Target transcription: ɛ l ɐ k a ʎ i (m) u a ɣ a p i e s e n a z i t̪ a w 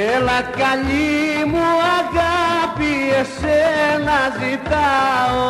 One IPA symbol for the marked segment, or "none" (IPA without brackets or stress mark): m